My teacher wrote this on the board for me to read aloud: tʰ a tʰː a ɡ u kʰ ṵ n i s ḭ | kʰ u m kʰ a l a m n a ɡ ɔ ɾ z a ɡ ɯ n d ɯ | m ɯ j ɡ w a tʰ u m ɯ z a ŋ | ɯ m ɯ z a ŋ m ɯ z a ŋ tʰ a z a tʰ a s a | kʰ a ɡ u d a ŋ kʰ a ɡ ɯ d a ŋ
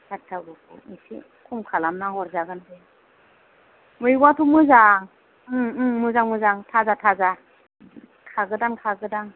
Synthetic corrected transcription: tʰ a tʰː a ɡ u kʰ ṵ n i s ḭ | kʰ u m kʰ a l a m n a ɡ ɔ ɾ z a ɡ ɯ n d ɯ | m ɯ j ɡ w a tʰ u m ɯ z a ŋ | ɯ m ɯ z a ŋ m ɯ z a ŋ tʰ a z a tʰ a z a | kʰ a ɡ ɯ d a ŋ kʰ a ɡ ɯ d a ŋ